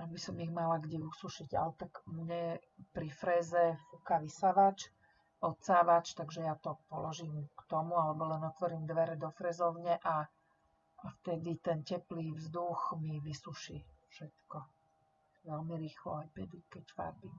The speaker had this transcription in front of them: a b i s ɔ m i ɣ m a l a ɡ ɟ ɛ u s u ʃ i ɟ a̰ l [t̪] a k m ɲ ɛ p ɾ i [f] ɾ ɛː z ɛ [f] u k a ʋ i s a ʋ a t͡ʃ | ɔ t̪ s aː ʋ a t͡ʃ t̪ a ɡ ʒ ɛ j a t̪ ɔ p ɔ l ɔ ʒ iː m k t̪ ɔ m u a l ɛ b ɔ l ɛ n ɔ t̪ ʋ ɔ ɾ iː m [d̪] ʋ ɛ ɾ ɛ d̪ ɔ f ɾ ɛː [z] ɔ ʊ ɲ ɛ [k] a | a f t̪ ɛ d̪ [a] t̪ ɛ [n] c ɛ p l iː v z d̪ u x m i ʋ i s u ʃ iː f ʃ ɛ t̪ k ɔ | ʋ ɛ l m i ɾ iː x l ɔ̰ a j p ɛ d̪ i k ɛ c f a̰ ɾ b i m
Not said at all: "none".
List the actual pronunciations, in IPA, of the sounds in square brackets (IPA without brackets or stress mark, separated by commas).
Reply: t̪, f, f, d̪, z, ʔ, i, n